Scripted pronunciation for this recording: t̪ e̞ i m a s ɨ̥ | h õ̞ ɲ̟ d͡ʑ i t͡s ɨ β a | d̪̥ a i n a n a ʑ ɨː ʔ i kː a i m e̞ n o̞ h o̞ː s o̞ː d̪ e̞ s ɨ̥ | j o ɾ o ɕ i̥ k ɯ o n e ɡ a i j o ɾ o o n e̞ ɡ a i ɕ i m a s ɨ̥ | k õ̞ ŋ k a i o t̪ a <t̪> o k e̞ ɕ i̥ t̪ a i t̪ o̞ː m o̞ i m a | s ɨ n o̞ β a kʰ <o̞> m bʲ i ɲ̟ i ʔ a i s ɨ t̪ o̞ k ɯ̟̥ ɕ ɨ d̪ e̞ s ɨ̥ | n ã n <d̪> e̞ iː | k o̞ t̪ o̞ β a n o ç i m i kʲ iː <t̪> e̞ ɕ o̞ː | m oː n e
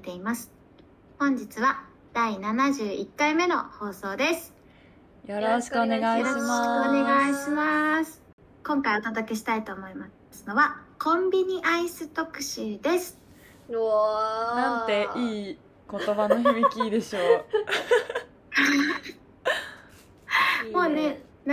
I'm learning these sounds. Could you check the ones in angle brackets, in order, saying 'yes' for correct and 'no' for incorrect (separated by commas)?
no, no, no, no